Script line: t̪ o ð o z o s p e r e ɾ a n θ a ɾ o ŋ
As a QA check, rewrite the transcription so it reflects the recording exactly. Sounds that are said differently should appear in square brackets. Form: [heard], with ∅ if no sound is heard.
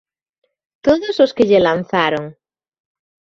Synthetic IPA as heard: t̪ o ð o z o s [k] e [ʎ] e [l] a n θ a ɾ o ŋ

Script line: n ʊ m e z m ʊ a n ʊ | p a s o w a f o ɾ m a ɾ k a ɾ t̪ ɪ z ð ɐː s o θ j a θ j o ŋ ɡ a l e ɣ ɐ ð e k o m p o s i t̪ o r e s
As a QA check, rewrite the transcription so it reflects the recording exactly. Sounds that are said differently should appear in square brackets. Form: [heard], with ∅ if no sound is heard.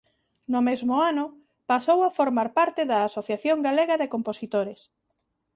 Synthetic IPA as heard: n ʊ m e z m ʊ a n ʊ | p a s o w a f o ɾ m a ɾ [p] a ɾ t̪ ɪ [∅] ð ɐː s o θ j a θ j o ŋ ɡ a l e ɣ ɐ ð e k o m p o s i t̪ o [ɾ] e s

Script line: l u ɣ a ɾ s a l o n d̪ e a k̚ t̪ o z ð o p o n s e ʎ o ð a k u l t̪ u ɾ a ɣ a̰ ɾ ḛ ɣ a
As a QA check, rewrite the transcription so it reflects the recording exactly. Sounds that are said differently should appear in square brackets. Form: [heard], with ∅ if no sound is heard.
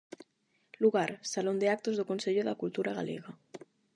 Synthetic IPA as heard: l u ɣ a ɾ s a l o n d̪ e a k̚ t̪ o z ð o [k] o n s e ʎ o ð a k u l t̪ u ɾ a ɣ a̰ [l] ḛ ɣ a

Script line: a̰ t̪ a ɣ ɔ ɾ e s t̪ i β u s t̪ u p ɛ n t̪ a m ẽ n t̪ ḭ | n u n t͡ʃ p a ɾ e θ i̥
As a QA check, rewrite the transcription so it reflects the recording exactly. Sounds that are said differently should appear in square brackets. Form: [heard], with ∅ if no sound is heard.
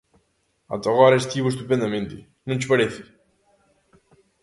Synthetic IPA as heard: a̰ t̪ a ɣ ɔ ɾ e s t̪ i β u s t̪ u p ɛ n [d̪] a m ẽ n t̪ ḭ | n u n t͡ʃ p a ɾ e θ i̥

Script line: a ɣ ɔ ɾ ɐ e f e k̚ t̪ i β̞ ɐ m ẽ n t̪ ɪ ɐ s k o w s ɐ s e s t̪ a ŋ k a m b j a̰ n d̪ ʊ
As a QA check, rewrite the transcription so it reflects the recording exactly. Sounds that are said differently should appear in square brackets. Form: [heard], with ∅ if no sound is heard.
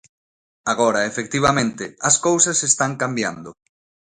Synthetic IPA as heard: a ɣ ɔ ɾ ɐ e f e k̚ t̪ i β̞ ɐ m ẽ n t̪ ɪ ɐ s k o w s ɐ s e s t̪ a ŋ k a m b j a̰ n d̪ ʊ

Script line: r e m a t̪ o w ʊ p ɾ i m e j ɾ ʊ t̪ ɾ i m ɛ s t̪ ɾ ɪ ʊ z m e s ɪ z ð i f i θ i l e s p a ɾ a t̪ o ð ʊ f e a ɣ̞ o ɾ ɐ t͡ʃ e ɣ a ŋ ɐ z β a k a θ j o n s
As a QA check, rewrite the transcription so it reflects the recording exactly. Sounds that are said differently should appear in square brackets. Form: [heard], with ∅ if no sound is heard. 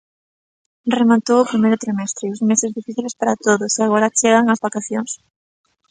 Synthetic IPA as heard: r e m a t̪ o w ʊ p ɾ i m e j ɾ ʊ t̪ ɾ i m ɛ s t̪ ɾ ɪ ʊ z m e s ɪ z ð i f i θ i l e s p a ɾ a t̪ o ð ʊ [s] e a ɣ̞ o ɾ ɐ t͡ʃ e ɣ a ŋ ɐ z β a k a θ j o [ŋ] s

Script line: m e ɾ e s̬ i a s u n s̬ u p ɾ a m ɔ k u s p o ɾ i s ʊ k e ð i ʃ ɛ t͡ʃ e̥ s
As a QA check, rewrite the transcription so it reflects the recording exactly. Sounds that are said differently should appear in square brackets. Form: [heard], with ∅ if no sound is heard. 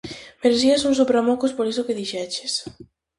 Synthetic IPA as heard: m e ɾ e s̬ i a s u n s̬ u p ɾ a m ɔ k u s p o ɾ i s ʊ k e ð i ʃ ɛ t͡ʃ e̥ s

